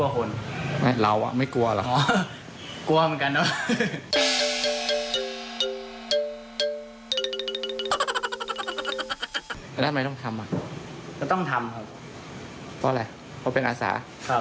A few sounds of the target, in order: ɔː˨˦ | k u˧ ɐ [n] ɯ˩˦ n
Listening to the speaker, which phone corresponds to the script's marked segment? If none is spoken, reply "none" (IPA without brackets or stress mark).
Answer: m